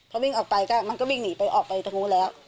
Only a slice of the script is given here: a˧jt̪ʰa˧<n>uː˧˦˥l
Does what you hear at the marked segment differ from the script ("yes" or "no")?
yes